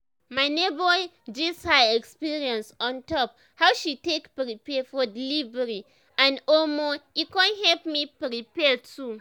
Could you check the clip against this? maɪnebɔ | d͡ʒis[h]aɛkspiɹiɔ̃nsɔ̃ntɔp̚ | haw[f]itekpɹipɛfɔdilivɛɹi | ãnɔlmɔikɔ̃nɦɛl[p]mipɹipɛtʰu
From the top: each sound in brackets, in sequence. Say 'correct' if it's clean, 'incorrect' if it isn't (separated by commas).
correct, incorrect, correct